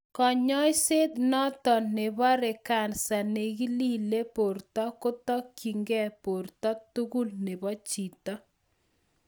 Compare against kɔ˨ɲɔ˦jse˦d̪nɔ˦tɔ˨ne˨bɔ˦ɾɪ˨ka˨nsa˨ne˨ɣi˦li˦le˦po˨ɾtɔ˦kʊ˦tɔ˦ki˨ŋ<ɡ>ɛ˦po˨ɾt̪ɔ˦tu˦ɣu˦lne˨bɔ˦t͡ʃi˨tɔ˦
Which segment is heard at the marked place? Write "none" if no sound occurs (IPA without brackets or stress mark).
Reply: ɡ